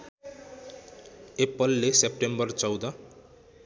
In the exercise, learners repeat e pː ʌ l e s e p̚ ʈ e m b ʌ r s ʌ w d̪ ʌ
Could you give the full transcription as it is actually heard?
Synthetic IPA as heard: e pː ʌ lː e s e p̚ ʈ e m b ʌ r t͡s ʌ w d̪ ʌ